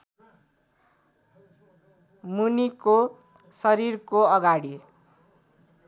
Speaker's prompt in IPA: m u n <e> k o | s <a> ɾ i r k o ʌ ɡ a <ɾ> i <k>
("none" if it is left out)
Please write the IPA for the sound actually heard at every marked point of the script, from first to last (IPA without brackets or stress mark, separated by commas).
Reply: i, ʌ, ɽ, none